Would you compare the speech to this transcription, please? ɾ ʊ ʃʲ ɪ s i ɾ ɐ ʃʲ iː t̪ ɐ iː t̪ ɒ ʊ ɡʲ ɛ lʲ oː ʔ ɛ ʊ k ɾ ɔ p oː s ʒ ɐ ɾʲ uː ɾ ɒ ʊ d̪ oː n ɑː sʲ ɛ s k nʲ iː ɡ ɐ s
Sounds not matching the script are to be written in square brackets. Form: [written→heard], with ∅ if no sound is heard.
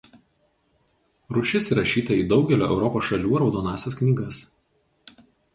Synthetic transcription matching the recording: ɾ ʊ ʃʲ ɪ s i ɾ ɐ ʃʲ iː t̪ ɐ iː [t̪→d̪] ɒ ʊ ɡʲ ɛ lʲ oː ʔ ɛ ʊ [k→∅] ɾ ɔ p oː s [ʒ→ʃ] ɐ [ɾʲ→lʲ] uː ɾ ɒ ʊ d̪ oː n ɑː sʲ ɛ s k nʲ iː ɡ ɐ s